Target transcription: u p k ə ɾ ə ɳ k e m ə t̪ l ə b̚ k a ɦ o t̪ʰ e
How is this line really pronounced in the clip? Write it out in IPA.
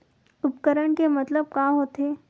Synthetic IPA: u p k ə ɾ ə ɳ k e m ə t̪ l ə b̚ k a ɦ o t̪ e